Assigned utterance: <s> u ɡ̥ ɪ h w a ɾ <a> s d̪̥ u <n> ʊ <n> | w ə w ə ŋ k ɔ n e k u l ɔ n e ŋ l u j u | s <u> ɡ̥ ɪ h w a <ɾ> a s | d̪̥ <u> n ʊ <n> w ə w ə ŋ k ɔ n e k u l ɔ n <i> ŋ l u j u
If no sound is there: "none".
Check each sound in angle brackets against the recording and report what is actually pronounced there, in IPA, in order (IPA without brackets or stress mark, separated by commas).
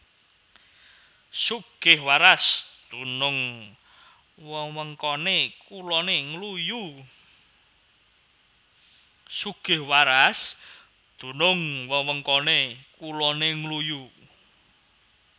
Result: s, a, n, ŋ, u, ɾ, u, ŋ, e